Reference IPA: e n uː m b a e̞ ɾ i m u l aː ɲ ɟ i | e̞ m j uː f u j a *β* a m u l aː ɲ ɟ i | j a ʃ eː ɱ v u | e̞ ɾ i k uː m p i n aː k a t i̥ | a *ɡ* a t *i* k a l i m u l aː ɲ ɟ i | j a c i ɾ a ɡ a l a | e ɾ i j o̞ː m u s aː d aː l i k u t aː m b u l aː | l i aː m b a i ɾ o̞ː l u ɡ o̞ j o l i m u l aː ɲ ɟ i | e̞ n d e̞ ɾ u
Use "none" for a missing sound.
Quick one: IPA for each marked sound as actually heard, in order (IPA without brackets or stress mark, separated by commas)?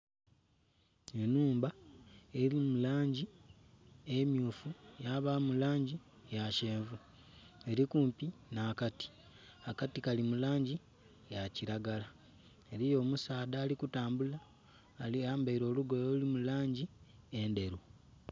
β, k, i